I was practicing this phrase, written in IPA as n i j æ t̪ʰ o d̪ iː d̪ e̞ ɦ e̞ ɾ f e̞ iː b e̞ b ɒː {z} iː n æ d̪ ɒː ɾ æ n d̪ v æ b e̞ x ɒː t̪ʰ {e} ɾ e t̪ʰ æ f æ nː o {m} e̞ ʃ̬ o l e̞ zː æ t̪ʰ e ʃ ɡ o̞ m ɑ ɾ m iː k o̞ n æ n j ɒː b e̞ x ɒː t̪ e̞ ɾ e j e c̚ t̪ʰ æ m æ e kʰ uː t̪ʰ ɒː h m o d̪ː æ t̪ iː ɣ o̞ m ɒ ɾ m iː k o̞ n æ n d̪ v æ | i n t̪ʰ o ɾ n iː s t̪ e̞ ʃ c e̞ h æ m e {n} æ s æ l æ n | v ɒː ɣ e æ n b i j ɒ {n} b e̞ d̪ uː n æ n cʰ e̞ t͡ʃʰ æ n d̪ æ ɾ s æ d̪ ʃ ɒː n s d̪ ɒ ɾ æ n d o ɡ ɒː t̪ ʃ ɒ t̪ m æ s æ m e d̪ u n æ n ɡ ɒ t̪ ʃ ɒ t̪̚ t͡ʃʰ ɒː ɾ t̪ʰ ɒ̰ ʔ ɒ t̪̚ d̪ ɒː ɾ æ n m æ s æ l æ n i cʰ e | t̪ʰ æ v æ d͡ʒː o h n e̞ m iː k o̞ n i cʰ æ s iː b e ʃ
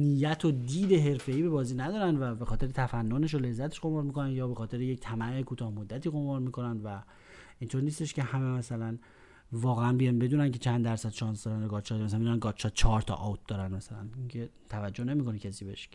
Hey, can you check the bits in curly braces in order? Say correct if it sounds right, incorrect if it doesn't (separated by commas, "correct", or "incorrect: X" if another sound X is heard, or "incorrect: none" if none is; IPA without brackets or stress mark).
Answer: correct, correct, incorrect: n, incorrect: m, correct